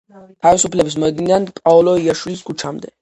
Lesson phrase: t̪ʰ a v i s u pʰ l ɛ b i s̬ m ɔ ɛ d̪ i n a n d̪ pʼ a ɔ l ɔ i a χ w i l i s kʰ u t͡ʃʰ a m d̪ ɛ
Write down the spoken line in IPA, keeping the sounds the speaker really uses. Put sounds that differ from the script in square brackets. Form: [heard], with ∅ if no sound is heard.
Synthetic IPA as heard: t̪ʰ a v i s u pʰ l ɛ b i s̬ m ɔ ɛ d̪ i n a n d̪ pʼ a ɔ l ɔ i a [ʃ] w i l i s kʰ u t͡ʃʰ a m d̪ ɛ

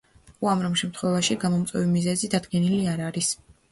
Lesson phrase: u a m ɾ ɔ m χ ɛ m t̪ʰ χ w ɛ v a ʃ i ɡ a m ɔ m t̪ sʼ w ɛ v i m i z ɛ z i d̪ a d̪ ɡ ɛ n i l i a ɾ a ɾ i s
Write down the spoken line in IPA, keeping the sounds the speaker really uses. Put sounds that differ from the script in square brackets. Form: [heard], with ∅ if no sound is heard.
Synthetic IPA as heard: u a m ɾ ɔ m [ʃ] ɛ m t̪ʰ χ w ɛ v a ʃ i ɡ a m ɔ m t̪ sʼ w ɛ v i m i z ɛ z i d̪ a d̪ ɡ ɛ n i l i a ɾ a ɾ i s

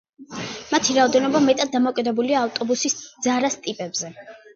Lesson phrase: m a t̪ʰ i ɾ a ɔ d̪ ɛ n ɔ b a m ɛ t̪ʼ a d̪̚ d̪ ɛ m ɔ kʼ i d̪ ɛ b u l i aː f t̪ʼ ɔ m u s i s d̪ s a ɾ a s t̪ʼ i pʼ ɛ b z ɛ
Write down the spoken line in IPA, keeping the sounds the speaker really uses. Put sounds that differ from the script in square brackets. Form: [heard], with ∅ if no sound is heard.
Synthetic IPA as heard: m a t̪ʰ i ɾ a ɔ d̪ ɛ n ɔ b a m ɛ t̪ʼ a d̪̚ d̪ [a] m ɔ kʼ i d̪ ɛ b u l i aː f t̪ʼ ɔ [b] u s i s d̪ [z] a ɾ a s t̪ʼ i pʼ ɛ b z ɛ

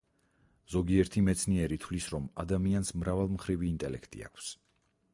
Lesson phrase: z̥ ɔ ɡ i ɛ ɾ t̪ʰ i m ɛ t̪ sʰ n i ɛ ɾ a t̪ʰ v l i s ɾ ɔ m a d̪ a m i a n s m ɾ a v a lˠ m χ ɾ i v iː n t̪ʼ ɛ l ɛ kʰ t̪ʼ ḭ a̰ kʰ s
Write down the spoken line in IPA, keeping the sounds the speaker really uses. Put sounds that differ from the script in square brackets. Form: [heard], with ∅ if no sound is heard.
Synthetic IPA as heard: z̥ ɔ ɡ i ɛ ɾ t̪ʰ i m ɛ t̪ sʰ n i ɛ ɾ [i] t̪ʰ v l i s ɾ ɔ m a d̪ a m i a n s m ɾ a v a lˠ m χ ɾ i v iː n t̪ʼ ɛ l ɛ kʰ t̪ʼ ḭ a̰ kʰ s

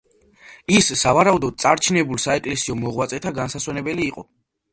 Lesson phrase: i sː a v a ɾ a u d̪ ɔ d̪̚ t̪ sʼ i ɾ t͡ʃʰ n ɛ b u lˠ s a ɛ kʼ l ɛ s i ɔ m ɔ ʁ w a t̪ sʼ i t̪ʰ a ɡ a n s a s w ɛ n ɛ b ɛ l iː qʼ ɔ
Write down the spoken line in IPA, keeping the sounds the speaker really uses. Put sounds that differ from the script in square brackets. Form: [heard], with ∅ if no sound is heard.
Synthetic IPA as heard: i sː a v a ɾ a u d̪ ɔ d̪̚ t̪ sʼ [a] ɾ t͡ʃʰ n ɛ b u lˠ s a ɛ kʼ l ɛ s i ɔ m ɔ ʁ w a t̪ sʼ [ɛ] t̪ʰ a ɡ a n s a s w ɛ n ɛ b ɛ l iː qʼ ɔ

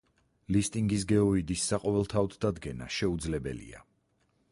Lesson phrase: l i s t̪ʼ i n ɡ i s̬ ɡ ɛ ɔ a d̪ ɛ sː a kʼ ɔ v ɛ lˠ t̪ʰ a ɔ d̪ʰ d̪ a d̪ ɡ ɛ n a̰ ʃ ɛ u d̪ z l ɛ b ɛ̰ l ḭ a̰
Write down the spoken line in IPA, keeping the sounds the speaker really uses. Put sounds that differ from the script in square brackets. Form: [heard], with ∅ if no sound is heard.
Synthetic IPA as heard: l i s t̪ʼ i [ŋ] ɡ i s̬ ɡ ɛ ɔ [i] d̪ [i] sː a [qʼ] ɔ v ɛ lˠ t̪ʰ a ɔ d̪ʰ d̪ a d̪ ɡ ɛ n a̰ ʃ ɛ u d̪ z l ɛ b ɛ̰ l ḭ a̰

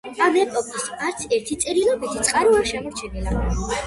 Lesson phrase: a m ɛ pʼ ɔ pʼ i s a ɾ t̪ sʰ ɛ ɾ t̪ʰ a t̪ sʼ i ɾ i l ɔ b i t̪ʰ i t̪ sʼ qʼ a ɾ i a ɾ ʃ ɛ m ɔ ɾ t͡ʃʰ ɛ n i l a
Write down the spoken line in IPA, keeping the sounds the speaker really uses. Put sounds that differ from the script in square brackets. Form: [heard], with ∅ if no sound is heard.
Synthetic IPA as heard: a m ɛ pʼ ɔ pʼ i s a ɾ t̪ sʰ ɛ ɾ t̪ʰ [i] t̪ sʼ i ɾ i l ɔ b i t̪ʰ i t̪ sʼ qʼ a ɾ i a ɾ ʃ ɛ m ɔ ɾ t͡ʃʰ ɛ n i l a

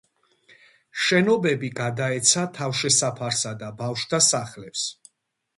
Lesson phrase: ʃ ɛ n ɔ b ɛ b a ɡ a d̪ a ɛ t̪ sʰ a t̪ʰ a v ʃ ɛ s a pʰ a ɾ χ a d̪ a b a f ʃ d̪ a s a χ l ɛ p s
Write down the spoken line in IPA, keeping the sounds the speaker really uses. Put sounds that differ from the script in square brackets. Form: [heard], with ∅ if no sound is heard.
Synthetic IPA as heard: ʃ ɛ n ɔ b ɛ b [i] ɡ a d̪ a ɛ t̪ sʰ a t̪ʰ a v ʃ ɛ s a pʰ a ɾ [s] a d̪ a b a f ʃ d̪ a s a χ l ɛ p s

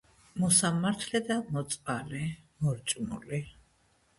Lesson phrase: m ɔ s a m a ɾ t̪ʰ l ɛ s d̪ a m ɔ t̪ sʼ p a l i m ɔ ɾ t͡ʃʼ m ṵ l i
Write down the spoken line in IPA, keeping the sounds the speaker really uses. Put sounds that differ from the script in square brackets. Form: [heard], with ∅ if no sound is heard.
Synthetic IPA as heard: m ɔ s a m a ɾ t̪ʰ l ɛ [∅] d̪ a m ɔ t̪ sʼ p a l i m ɔ ɾ t͡ʃʼ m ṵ l i

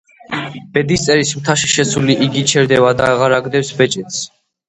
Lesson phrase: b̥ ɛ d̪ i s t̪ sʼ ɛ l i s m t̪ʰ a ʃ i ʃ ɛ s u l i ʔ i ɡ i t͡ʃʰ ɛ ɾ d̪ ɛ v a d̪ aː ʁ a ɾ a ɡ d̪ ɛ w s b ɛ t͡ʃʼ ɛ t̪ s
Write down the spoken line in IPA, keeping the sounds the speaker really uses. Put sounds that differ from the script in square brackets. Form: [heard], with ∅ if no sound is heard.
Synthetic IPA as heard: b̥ ɛ d̪ i s t̪ sʼ ɛ [ɾ] i s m t̪ʰ a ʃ i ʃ ɛ s u l i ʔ i ɡ i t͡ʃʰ ɛ ɾ d̪ ɛ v a d̪ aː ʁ a ɾ a ɡ d̪ ɛ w s b ɛ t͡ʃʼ ɛ t̪ s

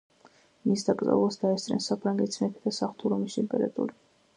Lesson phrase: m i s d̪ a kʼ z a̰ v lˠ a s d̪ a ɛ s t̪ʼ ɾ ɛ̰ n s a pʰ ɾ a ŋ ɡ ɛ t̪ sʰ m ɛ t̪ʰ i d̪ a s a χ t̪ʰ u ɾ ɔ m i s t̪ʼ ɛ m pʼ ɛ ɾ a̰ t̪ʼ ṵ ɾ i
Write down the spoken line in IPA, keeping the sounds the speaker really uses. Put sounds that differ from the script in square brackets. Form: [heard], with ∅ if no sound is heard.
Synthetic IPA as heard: m i s d̪ a kʼ z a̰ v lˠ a s d̪ a ɛ s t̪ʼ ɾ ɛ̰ n s a pʰ ɾ a ŋ ɡ ɛ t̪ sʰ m ɛ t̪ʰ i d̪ a s a χ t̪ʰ u ɾ ɔ m i s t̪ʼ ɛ m pʼ ɛ ɾ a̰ t̪ʼ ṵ ɾ i

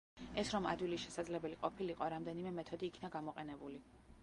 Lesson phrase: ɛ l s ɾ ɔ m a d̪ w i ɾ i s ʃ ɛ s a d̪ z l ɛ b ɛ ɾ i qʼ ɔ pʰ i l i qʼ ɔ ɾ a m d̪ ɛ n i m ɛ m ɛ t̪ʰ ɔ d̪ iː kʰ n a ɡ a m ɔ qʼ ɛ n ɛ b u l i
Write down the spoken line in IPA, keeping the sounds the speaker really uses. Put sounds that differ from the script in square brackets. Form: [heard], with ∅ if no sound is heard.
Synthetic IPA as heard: ɛ [∅] s ɾ ɔ m a d̪ w i [l] i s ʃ ɛ s a d̪ z l ɛ b ɛ [l] i qʼ ɔ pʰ i l i qʼ ɔ ɾ a m d̪ ɛ n i m ɛ m ɛ t̪ʰ ɔ d̪ iː kʰ n a ɡ a m ɔ qʼ ɛ n ɛ b u l i

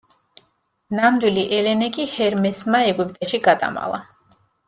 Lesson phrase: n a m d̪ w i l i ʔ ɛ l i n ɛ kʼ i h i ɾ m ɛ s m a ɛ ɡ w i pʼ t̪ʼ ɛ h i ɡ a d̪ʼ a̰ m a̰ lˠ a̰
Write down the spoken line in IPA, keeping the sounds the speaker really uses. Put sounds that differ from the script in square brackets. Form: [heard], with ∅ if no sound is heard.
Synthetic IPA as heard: n a m d̪ w i l i ʔ ɛ l [ɛ] n ɛ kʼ i h [ɛ] ɾ m ɛ s m a ɛ ɡ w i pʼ t̪ʼ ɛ [ʃ] i ɡ a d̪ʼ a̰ m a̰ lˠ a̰

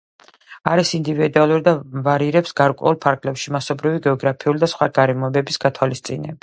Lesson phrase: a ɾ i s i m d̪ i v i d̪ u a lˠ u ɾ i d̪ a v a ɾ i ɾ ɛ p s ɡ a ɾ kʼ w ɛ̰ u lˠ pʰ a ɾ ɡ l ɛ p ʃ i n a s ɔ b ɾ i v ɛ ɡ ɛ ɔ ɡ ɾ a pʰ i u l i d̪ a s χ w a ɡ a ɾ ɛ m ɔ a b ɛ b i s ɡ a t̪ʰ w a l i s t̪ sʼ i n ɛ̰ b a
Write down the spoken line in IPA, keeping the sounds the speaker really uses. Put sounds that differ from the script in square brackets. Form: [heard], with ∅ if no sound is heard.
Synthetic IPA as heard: a ɾ i s i [n] d̪ i v i d̪ u a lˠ u ɾ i d̪ a v a ɾ i ɾ ɛ p s ɡ a ɾ kʼ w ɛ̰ u lˠ pʰ a ɾ ɡ l ɛ p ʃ i [m] a s ɔ b ɾ i v [i] ɡ ɛ ɔ ɡ ɾ a pʰ i u l i d̪ a s χ w a ɡ a ɾ ɛ m ɔ [ɛ] b ɛ b i s ɡ a t̪ʰ w a l i s t̪ sʼ i n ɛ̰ b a

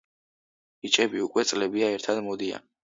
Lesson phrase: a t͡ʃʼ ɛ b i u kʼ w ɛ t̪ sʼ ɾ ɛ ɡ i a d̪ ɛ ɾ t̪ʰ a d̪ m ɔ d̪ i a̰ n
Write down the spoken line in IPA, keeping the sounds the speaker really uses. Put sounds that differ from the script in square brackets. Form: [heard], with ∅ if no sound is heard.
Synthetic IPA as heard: [i] t͡ʃʼ ɛ b i u kʼ w ɛ t̪ sʼ [l] ɛ [b] i a [∅] ɛ ɾ t̪ʰ a d̪ m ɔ d̪ i a̰ n

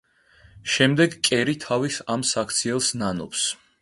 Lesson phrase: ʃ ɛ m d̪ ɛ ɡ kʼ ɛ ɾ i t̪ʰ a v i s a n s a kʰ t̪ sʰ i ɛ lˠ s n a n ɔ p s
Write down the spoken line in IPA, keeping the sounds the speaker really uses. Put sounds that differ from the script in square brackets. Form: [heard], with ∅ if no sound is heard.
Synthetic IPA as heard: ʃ ɛ m d̪ ɛ ɡ kʼ ɛ ɾ i t̪ʰ a v i s a [m] s a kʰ t̪ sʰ i ɛ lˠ s n a n ɔ p s

